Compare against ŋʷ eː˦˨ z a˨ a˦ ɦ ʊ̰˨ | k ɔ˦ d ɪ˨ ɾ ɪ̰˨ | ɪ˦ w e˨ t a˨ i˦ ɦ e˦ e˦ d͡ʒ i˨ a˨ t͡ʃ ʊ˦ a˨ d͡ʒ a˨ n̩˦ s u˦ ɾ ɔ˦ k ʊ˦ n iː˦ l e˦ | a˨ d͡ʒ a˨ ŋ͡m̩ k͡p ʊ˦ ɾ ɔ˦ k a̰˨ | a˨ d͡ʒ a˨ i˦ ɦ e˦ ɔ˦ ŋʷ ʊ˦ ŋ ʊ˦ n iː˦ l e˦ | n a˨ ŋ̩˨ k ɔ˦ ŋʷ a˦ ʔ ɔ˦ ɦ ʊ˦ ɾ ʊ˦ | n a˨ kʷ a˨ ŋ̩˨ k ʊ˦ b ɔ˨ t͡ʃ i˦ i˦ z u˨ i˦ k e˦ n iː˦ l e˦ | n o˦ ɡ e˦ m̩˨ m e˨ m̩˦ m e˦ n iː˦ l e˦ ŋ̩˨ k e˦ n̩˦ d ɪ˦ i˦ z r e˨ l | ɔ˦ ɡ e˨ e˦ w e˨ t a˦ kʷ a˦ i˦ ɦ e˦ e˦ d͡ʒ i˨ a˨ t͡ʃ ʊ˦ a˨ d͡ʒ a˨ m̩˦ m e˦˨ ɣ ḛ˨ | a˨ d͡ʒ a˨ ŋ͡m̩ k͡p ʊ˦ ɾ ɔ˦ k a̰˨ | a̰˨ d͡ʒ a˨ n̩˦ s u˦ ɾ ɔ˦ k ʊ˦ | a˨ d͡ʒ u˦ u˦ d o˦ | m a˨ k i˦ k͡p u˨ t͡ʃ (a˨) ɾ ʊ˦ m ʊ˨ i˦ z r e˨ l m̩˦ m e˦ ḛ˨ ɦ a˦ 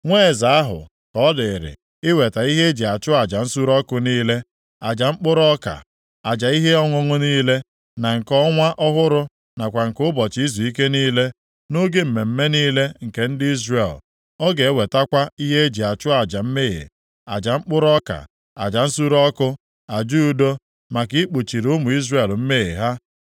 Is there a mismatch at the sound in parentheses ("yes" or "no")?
yes